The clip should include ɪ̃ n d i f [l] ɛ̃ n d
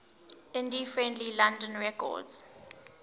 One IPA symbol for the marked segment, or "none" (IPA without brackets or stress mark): ɹ